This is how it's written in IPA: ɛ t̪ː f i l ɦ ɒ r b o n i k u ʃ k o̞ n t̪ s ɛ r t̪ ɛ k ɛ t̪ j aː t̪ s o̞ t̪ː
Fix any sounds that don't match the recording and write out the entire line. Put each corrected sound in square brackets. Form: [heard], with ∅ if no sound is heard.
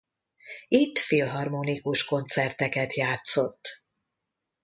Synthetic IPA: [i] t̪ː f i l ɦ ɒ r [m] o n i k u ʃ k o̞ n t̪ s ɛ r t̪ ɛ k ɛ t̪ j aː t̪ s o̞ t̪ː